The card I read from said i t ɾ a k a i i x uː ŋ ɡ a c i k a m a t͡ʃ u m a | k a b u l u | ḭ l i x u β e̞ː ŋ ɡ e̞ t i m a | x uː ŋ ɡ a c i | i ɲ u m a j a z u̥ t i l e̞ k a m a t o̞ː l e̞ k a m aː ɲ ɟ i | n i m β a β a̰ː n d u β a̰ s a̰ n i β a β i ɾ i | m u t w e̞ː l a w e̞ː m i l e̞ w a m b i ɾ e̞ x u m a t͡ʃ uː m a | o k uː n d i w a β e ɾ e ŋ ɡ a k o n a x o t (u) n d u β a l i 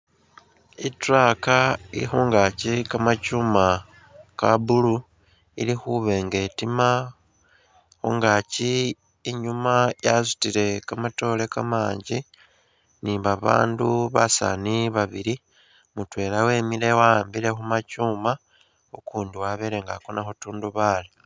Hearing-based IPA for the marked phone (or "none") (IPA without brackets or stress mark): uː